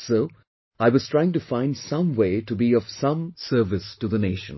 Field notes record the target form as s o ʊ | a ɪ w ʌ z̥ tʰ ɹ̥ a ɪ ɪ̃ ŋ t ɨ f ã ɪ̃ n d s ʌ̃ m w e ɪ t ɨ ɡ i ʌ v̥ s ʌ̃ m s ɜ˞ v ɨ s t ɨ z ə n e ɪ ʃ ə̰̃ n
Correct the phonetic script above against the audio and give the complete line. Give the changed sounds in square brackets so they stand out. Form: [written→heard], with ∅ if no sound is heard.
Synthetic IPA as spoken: s o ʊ | a ɪ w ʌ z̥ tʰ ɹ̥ a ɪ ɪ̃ ŋ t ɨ f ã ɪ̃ n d s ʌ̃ m w e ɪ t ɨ [ɡ→b] i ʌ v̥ s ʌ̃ m s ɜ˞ v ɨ s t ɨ [z→ð] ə n e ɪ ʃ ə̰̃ n